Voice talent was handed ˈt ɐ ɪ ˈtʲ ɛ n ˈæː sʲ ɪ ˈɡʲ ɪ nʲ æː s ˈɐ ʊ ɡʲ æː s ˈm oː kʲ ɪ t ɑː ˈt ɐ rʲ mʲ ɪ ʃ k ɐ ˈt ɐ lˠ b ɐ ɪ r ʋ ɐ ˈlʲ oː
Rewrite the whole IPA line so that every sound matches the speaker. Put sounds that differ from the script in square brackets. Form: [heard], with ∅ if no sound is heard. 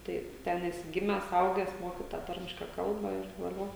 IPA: ˈt ɐ ɪ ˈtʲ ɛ n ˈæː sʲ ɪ ˈɡʲ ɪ [mʲ] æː s ˈɐ ʊ ɡʲ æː s ˈm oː kʲ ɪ t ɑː ˈt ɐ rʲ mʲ ɪ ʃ k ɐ [ˈk] ɐ lˠ b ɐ ɪ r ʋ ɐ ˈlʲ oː